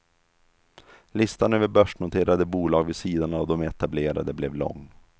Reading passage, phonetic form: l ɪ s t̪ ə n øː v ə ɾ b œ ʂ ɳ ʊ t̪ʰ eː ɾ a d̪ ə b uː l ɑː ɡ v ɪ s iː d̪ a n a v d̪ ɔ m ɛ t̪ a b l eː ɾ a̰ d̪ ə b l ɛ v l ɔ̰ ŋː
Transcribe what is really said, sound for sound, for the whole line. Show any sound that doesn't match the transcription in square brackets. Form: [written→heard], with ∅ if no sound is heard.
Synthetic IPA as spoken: l ɪ s t̪ [ə→a] n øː v ə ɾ b œ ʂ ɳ ʊ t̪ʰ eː ɾ a d̪ ə b uː l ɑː ɡ v ɪ s iː d̪ a n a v d̪ ɔ m ɛ t̪ a b l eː ɾ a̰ d̪ ə b l ɛ v l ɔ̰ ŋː